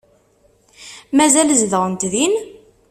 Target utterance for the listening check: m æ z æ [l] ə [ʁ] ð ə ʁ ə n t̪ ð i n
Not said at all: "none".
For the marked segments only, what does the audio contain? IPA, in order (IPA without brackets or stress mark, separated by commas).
l, z